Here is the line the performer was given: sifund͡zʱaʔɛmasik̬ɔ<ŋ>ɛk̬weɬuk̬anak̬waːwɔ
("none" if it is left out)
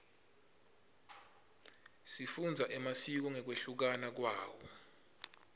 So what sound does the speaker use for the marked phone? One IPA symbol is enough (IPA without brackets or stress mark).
ŋ